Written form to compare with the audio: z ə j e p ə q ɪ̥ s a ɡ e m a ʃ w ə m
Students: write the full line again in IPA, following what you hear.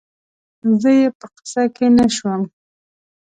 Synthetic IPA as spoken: z ə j e p ə q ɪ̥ s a k e n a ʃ w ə m